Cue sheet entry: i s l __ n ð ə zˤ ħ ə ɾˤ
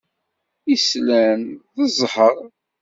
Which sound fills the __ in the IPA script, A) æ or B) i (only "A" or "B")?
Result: A